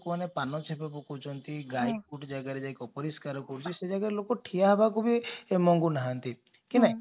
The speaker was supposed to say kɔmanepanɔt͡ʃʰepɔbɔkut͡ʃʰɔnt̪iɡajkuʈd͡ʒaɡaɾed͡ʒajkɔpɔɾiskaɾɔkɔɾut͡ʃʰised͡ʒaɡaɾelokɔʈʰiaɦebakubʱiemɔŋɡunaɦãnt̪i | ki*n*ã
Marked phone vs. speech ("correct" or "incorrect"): correct